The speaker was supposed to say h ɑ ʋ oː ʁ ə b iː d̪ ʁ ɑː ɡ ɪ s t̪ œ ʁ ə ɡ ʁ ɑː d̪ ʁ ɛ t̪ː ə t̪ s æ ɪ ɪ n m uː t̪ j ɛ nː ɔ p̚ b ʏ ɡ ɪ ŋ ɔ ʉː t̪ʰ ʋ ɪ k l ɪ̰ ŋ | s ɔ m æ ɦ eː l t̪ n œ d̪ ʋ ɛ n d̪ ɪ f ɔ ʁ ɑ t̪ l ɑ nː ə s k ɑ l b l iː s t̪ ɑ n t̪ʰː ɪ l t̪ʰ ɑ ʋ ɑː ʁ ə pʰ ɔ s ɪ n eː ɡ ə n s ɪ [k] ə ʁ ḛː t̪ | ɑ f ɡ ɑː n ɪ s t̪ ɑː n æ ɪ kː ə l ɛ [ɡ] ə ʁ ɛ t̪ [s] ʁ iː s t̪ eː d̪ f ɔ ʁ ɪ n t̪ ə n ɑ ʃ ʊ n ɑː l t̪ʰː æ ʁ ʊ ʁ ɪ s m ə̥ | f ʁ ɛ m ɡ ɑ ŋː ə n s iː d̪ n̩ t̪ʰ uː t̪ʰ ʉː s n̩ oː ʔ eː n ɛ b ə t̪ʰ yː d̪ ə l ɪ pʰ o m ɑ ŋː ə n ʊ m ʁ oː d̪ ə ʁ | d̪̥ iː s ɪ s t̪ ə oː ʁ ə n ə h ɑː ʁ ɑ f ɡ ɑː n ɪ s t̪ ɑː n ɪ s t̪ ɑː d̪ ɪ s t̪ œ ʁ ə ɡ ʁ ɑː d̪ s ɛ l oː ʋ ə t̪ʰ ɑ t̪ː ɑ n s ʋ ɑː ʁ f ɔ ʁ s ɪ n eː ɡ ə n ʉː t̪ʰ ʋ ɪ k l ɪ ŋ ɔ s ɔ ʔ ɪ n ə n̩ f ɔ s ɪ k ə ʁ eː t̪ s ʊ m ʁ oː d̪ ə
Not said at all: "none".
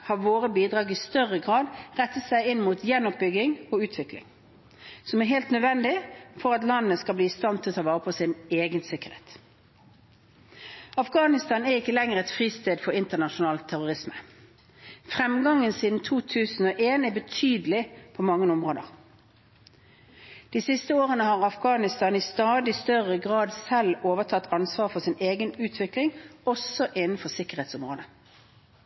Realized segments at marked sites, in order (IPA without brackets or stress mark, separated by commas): k, ŋ, f